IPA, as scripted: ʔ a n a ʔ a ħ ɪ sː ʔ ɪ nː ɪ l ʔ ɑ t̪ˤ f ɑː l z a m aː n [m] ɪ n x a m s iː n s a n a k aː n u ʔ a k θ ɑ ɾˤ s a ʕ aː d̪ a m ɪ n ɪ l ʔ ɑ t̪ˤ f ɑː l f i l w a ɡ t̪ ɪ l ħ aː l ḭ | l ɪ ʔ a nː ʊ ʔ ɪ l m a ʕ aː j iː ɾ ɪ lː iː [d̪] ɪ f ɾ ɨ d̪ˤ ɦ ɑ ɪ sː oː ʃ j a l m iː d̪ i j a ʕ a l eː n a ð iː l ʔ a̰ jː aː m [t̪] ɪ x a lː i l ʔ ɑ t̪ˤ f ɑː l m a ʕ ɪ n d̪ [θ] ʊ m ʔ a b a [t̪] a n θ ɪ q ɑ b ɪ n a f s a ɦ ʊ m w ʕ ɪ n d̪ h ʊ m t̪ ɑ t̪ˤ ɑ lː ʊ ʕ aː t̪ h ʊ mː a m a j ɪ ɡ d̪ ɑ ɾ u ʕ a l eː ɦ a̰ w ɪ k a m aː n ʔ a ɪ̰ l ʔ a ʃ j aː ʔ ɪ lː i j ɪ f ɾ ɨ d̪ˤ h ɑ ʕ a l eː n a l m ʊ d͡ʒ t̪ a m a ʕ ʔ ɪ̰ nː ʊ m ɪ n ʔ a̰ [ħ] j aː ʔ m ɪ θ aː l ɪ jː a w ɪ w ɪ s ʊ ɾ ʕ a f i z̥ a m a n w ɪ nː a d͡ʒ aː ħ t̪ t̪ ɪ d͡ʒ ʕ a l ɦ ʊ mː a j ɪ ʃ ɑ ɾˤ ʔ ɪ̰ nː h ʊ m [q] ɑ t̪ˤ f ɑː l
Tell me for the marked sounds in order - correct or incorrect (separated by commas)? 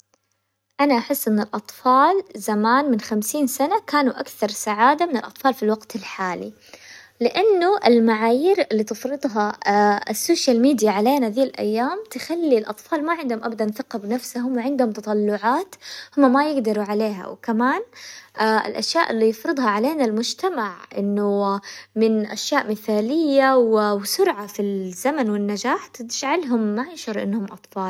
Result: correct, incorrect, correct, incorrect, incorrect, incorrect, incorrect